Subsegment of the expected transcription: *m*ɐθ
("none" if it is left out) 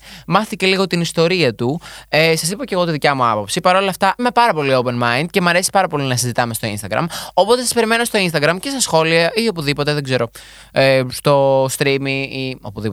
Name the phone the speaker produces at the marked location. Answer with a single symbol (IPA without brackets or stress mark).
m